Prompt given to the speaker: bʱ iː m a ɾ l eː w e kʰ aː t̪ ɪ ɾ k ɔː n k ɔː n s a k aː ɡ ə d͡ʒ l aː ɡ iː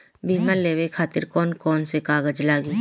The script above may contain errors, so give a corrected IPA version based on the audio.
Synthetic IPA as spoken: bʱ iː m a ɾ l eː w e kʰ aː t̪ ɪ ɾ k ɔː n k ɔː n s e k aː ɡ ə d͡ʒ l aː ɡ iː